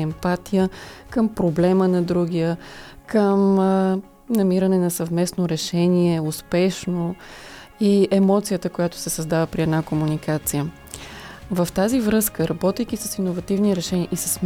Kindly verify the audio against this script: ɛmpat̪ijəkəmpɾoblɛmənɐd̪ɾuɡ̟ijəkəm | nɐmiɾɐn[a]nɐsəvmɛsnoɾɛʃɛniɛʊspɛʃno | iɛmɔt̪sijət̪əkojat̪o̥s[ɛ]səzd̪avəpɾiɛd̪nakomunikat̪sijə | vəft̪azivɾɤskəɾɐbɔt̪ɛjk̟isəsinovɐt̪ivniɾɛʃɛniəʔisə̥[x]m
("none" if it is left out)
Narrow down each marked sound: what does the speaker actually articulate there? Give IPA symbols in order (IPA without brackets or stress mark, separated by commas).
ɛ, ɛ, s